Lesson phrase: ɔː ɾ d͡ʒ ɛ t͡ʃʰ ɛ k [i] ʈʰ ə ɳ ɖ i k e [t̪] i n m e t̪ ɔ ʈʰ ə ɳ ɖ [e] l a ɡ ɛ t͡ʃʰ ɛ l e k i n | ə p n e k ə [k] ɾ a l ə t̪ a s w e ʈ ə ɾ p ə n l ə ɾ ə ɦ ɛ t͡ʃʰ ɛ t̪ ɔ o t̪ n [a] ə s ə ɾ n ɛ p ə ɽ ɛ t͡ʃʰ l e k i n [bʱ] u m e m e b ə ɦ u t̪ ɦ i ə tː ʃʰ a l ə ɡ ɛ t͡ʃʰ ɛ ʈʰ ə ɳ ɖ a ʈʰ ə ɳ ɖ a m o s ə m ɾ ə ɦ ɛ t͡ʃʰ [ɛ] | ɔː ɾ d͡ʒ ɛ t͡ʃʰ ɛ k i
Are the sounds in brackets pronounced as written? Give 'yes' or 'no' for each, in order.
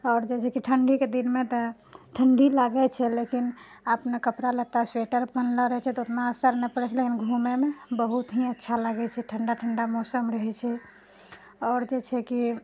yes, no, no, no, yes, no, yes

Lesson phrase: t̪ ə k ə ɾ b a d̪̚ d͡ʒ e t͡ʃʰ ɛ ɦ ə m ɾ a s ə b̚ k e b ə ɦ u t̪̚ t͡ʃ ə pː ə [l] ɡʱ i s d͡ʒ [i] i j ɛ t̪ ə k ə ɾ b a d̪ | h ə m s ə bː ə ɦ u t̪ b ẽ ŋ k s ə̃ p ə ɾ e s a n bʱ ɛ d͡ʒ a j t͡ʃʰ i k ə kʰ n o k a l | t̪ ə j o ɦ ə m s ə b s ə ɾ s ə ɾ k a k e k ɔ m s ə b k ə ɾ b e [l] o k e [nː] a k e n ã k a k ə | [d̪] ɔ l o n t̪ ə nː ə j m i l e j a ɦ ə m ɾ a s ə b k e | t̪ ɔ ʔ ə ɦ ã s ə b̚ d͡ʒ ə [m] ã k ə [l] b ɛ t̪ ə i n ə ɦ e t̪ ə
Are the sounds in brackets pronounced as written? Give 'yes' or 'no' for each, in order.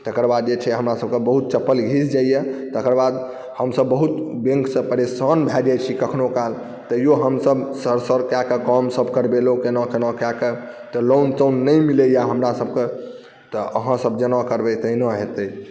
yes, no, yes, no, no, no, no

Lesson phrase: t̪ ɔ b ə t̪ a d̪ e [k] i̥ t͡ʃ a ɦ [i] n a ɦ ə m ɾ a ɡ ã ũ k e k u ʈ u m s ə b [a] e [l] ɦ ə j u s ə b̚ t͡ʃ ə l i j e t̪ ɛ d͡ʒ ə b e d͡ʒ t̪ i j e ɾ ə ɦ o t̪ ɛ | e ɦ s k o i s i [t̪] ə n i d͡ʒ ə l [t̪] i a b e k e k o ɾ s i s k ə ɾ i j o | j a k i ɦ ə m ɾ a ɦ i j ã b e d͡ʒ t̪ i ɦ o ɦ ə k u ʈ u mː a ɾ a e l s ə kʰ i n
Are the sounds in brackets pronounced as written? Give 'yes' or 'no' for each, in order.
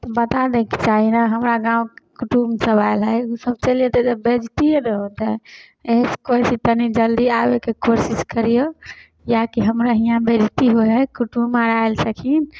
yes, yes, yes, yes, yes, no

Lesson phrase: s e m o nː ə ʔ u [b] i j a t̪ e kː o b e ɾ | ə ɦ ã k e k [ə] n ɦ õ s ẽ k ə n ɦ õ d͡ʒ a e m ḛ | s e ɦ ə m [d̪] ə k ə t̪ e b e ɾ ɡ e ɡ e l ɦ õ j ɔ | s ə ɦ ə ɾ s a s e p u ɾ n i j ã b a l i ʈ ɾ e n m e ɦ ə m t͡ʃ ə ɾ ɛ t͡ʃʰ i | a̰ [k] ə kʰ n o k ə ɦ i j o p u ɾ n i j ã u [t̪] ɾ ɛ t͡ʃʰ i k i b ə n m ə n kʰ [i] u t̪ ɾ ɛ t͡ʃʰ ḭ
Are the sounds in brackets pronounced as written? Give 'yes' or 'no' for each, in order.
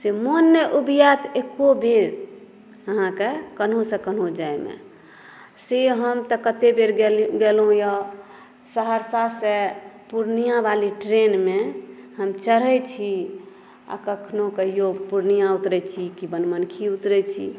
yes, yes, no, yes, yes, yes

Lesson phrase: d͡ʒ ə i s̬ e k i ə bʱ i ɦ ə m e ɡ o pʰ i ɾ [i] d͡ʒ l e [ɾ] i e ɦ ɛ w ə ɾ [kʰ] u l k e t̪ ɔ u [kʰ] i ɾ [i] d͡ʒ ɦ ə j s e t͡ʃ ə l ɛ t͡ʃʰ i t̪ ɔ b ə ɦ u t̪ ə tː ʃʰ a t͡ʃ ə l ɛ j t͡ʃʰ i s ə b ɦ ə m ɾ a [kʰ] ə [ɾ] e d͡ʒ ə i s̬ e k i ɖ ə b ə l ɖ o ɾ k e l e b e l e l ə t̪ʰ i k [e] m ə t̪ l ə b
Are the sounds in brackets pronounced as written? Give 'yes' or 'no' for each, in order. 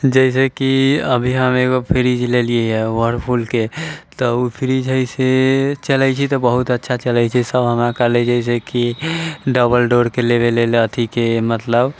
yes, no, no, no, yes, no, no, yes

